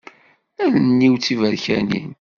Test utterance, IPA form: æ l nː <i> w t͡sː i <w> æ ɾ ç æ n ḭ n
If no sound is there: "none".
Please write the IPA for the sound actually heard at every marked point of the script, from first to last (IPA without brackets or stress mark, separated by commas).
i, v